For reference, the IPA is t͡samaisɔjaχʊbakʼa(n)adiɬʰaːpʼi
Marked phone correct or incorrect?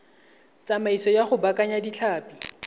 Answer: incorrect